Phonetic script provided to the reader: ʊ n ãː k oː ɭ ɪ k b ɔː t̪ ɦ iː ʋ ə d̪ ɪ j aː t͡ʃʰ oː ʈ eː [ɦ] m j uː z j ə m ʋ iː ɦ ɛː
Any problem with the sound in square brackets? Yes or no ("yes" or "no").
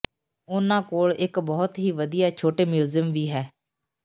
yes